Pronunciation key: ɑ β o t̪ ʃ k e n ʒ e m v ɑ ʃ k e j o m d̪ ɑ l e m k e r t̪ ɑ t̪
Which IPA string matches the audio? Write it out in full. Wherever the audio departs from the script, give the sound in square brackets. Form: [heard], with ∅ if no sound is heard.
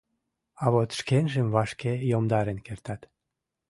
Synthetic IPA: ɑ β o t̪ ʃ k e n ʒ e m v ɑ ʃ k e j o m d̪ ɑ [ɾ] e [n] k e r t̪ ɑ t̪